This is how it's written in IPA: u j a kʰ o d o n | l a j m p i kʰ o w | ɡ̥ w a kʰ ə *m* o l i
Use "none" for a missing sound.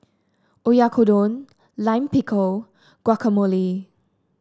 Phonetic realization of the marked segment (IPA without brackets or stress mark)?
m